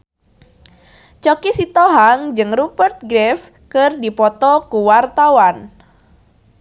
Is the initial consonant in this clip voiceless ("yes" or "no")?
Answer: yes